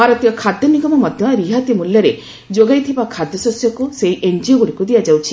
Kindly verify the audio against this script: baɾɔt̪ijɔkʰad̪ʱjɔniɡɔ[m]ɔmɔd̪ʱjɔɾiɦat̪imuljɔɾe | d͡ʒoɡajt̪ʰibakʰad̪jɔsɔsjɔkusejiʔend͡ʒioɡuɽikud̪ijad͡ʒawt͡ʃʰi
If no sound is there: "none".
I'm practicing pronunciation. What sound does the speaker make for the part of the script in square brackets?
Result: m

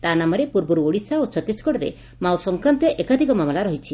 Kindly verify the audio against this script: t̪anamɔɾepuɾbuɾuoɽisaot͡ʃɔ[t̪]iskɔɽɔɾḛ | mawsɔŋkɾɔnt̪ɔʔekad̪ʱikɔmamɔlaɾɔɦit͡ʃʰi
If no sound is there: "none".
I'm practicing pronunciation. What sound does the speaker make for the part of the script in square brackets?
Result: t̪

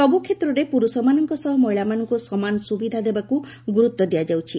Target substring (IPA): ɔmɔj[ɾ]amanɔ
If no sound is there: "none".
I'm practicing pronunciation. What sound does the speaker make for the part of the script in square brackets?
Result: ɭ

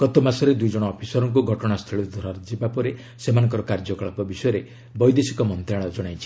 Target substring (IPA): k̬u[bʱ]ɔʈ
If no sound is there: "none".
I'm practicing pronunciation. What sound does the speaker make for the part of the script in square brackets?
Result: ɡʱ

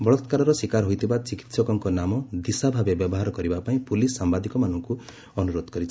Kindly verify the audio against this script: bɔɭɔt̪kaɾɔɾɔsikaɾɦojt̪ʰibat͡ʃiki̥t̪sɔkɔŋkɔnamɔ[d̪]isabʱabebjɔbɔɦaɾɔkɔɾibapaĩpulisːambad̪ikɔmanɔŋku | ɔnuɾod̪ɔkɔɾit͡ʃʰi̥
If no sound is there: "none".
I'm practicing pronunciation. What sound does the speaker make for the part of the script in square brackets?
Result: d̪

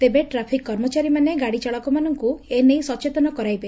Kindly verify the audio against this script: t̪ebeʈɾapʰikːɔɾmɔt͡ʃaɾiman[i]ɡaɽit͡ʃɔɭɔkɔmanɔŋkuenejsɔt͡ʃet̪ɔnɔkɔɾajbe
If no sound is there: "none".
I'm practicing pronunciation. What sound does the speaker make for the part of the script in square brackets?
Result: e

